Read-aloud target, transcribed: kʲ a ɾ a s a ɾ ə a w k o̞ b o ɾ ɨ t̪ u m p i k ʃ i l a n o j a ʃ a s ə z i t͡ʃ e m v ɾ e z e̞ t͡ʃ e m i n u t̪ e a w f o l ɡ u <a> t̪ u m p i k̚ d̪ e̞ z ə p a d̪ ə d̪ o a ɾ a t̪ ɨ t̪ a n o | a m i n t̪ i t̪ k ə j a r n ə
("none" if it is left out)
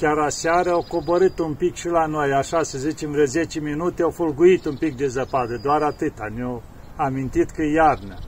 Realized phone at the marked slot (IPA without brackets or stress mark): i